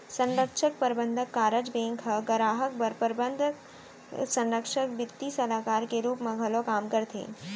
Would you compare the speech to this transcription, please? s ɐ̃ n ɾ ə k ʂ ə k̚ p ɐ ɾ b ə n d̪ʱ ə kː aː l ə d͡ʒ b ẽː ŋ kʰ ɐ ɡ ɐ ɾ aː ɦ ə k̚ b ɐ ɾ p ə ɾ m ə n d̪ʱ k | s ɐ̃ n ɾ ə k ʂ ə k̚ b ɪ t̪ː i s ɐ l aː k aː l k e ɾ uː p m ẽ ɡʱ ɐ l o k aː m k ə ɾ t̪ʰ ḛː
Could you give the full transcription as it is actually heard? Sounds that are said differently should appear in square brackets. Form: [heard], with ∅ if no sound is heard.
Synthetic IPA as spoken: s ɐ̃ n ɾ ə k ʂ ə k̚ p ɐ ɾ b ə n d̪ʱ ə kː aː [ɾ] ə d͡ʒ b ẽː ŋ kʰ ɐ ɡ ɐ ɾ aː ɦ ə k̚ b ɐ ɾ p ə ɾ [b] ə n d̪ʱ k | s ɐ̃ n ɾ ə k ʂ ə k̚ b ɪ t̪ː i s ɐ l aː k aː [ɾ] k e ɾ uː p m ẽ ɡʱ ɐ l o k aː m k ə ɾ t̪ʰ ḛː